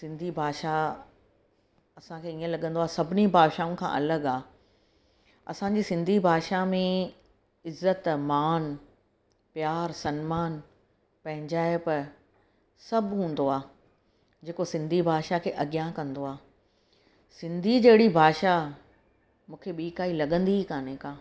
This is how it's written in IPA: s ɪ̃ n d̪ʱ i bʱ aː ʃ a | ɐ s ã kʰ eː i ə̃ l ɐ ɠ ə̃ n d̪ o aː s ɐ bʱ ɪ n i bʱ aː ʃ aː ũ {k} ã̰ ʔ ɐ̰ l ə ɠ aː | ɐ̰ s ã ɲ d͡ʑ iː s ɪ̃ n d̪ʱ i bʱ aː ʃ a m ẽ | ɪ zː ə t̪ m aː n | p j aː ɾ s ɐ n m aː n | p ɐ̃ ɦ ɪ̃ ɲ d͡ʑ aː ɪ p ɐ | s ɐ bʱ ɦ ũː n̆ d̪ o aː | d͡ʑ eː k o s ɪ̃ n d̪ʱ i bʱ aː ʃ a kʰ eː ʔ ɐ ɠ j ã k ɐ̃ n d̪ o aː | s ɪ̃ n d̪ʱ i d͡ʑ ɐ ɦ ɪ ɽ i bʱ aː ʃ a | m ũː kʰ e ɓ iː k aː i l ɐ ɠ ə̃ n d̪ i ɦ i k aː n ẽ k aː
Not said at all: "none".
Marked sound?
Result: kʰ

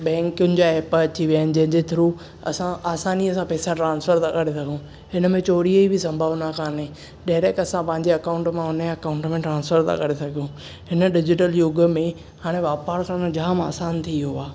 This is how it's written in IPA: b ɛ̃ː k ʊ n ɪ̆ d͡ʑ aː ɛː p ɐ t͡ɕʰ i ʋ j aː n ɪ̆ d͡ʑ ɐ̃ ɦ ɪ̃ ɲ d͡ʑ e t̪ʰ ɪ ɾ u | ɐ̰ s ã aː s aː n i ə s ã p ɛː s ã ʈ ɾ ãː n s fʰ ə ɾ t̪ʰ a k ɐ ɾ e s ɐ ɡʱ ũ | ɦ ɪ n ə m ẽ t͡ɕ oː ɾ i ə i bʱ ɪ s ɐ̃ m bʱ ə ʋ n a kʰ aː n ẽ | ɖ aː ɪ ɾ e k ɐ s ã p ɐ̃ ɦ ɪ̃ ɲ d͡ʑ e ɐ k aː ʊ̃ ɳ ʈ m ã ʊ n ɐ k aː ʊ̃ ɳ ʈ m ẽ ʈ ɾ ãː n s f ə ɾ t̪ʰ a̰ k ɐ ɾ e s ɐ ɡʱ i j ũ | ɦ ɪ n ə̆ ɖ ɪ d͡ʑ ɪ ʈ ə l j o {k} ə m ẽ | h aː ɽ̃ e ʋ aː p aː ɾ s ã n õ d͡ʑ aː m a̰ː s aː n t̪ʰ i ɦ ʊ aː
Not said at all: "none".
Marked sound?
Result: ɡ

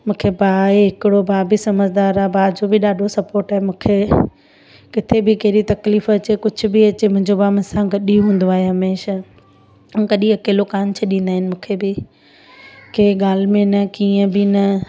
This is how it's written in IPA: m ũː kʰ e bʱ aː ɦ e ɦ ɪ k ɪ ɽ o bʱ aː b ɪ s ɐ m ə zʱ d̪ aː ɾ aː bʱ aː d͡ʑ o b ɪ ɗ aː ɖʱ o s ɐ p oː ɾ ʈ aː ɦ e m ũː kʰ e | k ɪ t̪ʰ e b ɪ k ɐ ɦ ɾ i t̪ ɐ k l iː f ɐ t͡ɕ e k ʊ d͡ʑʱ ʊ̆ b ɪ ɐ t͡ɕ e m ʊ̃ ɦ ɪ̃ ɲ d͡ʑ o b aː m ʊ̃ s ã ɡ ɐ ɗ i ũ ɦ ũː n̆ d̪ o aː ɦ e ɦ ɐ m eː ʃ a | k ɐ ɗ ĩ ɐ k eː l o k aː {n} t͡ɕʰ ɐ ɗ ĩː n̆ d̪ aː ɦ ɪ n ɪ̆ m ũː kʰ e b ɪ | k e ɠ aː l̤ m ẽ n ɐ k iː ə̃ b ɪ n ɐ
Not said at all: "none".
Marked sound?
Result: n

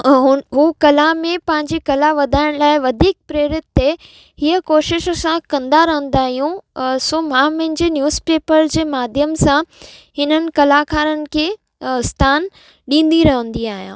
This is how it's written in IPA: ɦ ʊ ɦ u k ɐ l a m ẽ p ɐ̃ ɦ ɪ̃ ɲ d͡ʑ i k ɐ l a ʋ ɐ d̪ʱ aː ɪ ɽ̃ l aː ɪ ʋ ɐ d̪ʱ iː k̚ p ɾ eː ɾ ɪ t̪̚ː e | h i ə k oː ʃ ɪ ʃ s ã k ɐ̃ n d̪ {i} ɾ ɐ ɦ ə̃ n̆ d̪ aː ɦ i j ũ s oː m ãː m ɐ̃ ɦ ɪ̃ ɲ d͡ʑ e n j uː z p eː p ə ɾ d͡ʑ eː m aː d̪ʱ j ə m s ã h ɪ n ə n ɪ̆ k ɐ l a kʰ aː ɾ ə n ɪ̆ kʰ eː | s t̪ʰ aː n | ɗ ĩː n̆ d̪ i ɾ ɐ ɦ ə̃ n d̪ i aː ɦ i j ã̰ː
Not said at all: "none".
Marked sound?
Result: a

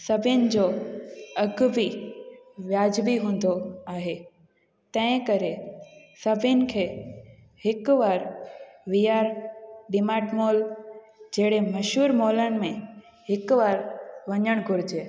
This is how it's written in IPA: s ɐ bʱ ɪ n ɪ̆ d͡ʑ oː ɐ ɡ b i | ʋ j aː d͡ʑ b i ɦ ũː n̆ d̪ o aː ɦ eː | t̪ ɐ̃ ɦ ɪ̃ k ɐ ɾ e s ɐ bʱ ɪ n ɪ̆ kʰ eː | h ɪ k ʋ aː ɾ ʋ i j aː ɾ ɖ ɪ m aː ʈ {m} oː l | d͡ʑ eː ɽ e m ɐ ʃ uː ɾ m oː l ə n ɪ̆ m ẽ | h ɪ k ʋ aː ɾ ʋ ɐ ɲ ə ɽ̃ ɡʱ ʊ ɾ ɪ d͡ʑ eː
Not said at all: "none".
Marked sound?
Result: m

